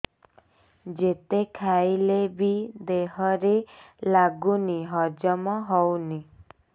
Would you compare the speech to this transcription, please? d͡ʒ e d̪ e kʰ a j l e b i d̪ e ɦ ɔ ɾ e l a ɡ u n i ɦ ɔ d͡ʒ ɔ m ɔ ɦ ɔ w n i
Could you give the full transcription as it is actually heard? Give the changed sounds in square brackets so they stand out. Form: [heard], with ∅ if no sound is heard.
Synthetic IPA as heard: d͡ʒ e [t̪] e kʰ a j l e b i d̪ e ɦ ɔ ɾ e l a ɡ u n i ɦ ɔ d͡ʒ ɔ m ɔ ɦ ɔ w n i